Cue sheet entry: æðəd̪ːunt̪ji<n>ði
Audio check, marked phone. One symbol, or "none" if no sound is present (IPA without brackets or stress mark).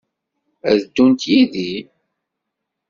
none